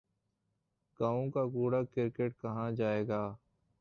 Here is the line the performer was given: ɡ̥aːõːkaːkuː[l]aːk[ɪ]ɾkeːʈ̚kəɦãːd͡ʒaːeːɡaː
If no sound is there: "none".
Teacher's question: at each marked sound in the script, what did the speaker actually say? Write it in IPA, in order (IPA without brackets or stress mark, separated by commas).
ɽ, ɪ